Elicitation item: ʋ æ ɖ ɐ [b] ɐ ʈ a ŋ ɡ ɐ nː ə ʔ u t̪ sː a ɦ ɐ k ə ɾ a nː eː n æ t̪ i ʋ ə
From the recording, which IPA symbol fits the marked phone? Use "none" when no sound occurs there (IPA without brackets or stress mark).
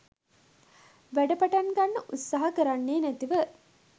p